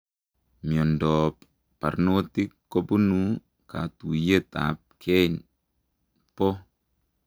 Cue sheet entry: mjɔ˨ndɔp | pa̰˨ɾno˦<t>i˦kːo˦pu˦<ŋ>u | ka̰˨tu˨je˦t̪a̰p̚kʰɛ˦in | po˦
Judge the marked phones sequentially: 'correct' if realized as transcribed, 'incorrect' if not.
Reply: correct, incorrect: n

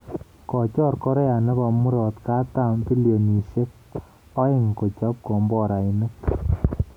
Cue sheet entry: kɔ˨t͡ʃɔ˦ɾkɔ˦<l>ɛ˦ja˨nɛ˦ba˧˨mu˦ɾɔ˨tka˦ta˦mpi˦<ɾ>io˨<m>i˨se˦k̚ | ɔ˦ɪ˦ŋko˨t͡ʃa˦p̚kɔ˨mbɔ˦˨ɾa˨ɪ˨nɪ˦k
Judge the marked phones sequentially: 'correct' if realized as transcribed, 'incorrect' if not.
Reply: incorrect: ɾ, incorrect: l, incorrect: n

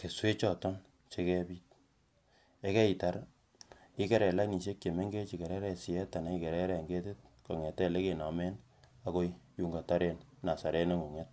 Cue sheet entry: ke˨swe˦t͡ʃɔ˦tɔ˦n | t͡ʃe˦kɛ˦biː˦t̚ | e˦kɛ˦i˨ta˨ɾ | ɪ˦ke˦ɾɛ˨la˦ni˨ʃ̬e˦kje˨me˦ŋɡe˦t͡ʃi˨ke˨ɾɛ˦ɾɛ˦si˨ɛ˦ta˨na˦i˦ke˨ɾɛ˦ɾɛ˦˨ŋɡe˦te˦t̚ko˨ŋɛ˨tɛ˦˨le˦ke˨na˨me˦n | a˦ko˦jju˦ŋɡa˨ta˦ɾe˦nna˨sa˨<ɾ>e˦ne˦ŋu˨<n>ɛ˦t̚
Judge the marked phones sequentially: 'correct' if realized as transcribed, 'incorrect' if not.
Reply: correct, incorrect: ŋ

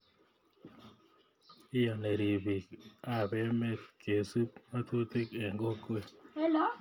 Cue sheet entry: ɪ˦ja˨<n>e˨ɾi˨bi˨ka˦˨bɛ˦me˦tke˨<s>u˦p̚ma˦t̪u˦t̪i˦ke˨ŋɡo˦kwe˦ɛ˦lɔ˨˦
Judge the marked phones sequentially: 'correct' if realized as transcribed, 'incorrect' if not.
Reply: correct, correct

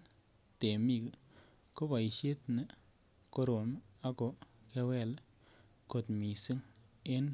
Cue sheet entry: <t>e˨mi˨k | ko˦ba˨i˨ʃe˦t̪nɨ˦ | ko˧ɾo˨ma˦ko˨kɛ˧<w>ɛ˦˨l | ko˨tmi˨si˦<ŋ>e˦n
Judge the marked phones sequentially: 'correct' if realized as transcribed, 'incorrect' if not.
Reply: correct, correct, correct

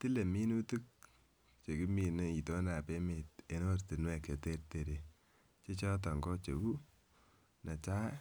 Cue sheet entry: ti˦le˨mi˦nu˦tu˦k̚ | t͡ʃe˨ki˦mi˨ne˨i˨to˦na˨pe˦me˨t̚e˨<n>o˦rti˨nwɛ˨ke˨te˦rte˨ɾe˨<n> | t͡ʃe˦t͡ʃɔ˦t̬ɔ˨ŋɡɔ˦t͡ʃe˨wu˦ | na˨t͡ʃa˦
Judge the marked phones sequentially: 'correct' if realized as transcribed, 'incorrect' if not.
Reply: correct, incorrect: none

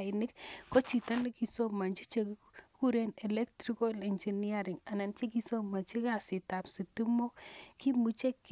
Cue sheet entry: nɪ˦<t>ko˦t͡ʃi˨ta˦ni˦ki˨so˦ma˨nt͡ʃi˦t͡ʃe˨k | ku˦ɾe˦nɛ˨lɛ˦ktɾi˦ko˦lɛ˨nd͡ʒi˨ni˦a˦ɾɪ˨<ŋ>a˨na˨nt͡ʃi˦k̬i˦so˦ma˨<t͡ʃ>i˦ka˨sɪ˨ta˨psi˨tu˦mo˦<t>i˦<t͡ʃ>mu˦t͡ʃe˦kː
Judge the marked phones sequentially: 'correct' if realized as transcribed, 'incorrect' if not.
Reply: incorrect: k, correct, correct, incorrect: k, incorrect: none

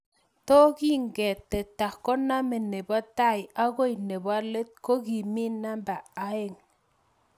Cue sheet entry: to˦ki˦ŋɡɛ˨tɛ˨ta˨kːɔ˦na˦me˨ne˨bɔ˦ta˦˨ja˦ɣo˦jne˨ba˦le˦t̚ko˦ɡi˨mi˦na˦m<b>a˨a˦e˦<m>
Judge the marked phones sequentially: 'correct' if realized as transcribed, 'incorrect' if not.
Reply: correct, incorrect: ŋ

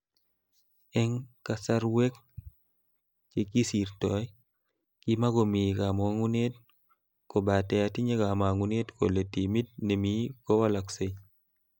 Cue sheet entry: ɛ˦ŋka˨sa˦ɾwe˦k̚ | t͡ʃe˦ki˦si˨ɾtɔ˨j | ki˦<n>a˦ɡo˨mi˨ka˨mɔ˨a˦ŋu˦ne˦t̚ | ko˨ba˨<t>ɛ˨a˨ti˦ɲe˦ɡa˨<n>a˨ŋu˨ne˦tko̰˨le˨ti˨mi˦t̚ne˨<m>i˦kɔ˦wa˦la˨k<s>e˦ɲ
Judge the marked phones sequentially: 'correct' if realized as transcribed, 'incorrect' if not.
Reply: incorrect: m, correct, incorrect: m, correct, correct

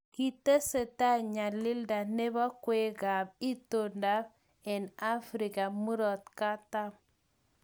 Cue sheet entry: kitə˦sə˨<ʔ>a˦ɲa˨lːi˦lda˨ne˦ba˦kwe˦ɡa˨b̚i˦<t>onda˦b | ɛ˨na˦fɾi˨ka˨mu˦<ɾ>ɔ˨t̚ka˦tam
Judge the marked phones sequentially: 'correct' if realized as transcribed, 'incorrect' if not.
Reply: incorrect: t, correct, correct

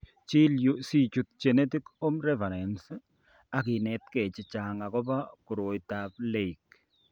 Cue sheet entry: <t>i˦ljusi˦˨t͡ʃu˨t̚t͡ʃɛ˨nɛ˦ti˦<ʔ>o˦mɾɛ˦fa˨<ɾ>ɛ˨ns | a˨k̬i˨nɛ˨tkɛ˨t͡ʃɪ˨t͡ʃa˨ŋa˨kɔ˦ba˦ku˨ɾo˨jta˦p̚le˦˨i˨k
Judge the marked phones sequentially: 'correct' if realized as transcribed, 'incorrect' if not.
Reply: incorrect: t͡ʃ, incorrect: k, correct

